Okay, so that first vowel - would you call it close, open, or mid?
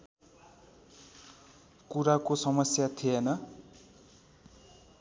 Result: close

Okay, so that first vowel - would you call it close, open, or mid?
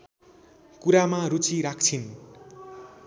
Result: close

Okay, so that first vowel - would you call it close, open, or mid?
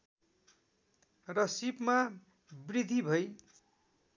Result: mid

